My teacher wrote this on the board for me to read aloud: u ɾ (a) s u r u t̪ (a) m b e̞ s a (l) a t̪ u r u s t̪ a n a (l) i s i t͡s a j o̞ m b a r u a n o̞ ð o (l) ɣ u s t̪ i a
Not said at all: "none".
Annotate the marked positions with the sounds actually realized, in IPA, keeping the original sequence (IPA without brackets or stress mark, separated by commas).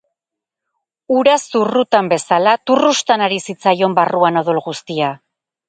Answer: a, a, l, ɾ, l